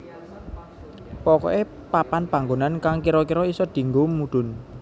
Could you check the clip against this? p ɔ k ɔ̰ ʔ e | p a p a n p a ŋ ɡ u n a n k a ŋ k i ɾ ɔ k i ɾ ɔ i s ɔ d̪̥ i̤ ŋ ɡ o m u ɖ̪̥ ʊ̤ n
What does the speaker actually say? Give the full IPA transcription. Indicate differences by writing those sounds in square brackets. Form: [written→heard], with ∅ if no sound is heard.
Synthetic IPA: p ɔ k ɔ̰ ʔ e | p a p a n p a ŋ ɡ [u→o] n a n k a ŋ k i ɾ ɔ k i ɾ ɔ i s ɔ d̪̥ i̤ ŋ ɡ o m u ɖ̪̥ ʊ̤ n